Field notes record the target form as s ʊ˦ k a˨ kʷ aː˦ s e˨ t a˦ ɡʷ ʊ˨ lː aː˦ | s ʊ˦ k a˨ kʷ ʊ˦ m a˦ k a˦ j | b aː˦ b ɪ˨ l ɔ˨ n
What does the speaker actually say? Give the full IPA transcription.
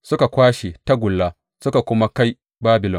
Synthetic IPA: s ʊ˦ k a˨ kʷ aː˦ ʃ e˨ t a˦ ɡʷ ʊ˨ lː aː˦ | s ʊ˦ k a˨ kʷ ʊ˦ m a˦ k a˦ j | b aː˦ b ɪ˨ l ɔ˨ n